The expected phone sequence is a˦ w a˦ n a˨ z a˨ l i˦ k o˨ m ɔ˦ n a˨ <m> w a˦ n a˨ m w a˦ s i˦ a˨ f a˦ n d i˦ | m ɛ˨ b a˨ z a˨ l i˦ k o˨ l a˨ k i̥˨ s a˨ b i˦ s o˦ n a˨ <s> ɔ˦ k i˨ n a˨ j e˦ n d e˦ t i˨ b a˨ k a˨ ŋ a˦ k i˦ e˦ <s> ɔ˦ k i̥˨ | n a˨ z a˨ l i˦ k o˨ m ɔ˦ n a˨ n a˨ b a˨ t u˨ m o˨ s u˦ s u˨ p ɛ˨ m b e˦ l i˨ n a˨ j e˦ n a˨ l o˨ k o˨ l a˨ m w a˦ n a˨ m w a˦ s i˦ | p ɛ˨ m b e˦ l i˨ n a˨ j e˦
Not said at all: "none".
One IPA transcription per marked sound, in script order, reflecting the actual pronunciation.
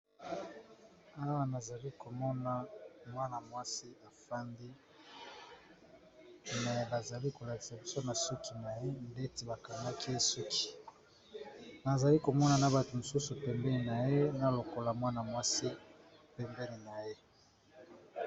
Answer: m, s, s

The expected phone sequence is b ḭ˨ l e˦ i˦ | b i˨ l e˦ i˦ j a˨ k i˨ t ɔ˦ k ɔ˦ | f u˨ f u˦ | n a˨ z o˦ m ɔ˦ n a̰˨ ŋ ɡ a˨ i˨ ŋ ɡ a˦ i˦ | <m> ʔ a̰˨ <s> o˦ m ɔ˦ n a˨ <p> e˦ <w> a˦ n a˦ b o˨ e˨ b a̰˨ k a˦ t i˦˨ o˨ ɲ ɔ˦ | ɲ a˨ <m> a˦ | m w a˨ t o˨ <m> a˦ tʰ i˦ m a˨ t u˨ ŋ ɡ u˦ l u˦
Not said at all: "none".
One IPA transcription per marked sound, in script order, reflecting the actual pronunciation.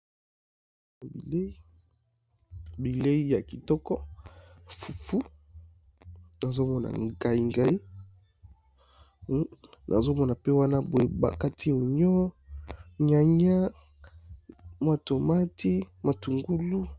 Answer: n, z, p, w, ɲ, m

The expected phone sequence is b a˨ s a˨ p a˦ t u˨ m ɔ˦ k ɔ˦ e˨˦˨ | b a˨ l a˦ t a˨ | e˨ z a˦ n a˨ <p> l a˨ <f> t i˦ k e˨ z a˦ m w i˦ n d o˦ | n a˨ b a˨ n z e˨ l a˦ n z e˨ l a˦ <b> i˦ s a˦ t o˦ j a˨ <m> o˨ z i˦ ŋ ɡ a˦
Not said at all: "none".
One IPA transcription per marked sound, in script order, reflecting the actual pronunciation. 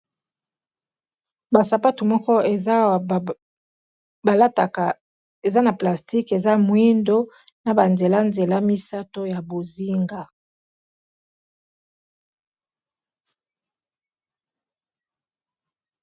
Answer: p, s, m, b

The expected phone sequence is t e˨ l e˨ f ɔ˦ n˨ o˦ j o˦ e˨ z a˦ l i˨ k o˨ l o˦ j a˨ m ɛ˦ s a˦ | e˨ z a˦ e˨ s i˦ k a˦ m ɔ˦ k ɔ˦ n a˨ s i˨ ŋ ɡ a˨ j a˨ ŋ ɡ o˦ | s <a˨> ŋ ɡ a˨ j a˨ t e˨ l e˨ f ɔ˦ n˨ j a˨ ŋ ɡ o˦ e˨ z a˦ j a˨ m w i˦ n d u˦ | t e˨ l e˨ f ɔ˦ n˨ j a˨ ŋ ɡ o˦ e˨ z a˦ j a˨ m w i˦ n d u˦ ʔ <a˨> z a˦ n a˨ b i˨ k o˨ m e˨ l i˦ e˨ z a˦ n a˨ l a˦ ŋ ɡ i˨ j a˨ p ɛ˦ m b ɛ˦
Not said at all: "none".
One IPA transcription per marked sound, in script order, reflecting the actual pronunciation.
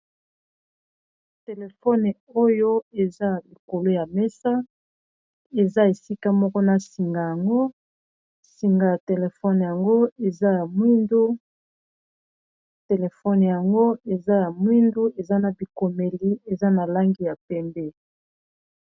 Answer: i˨, e˨

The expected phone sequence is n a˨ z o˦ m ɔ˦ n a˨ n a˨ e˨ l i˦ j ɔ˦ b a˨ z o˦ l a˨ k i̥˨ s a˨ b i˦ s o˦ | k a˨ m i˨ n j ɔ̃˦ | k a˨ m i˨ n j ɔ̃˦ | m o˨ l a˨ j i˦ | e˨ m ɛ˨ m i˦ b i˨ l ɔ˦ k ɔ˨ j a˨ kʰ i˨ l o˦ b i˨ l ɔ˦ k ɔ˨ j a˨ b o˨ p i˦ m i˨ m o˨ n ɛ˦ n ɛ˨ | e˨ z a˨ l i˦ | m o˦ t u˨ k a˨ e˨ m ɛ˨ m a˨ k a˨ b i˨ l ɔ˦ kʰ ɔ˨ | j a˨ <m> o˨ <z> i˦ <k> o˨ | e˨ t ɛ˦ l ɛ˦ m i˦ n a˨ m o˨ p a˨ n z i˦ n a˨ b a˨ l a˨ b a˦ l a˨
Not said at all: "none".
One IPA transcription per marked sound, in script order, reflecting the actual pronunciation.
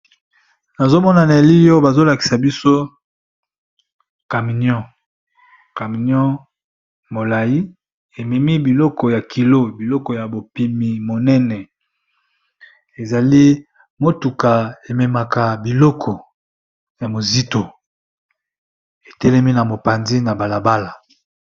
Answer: m, z, t

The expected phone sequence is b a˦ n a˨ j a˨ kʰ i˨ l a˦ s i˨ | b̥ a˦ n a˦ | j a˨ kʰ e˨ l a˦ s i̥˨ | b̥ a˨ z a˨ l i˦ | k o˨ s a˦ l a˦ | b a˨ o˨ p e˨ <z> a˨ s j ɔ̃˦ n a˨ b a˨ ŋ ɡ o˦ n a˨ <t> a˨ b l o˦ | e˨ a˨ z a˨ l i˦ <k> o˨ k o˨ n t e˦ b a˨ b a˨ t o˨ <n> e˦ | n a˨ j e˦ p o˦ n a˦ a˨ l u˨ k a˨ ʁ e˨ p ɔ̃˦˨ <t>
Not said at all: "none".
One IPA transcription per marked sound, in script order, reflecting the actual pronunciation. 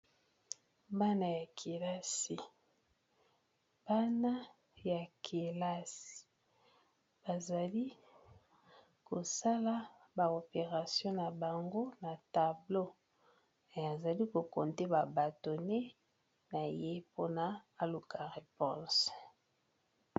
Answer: ʁ, t, k, n, s

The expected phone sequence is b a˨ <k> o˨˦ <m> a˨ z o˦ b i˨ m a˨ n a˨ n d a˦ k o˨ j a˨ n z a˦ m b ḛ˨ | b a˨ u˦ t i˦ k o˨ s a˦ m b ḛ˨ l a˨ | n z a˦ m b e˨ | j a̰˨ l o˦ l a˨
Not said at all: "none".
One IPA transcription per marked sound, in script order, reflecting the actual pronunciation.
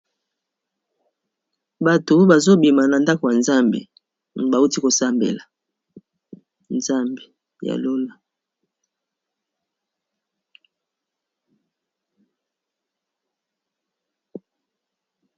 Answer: t, b

